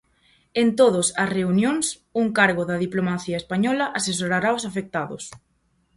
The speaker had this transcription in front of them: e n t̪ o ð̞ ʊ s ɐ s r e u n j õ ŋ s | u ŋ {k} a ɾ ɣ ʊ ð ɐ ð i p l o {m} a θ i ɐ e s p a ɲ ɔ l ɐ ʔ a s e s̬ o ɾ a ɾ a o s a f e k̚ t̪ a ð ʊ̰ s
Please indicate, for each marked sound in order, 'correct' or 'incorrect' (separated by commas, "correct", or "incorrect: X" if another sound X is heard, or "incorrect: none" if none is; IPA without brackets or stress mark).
correct, correct